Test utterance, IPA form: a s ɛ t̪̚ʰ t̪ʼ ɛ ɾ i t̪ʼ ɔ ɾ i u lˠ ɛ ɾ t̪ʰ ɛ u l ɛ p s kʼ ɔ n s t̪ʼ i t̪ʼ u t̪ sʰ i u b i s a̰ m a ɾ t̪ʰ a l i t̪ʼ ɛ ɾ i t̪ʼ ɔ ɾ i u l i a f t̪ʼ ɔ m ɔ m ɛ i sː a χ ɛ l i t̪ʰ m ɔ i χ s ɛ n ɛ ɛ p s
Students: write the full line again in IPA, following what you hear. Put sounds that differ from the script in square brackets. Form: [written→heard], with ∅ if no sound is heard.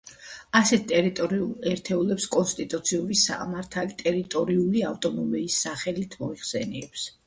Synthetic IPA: a s ɛ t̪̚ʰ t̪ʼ ɛ ɾ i t̪ʼ ɔ ɾ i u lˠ ɛ ɾ t̪ʰ ɛ u l ɛ p s kʼ ɔ n s t̪ʼ i t̪ʼ u t̪ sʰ i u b i s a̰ m a ɾ t̪ʰ a l i t̪ʼ ɛ ɾ i t̪ʼ ɔ ɾ i u l i a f t̪ʼ ɔ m ɔ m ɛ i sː a χ ɛ l i t̪ʰ m ɔ i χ s ɛ n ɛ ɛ p s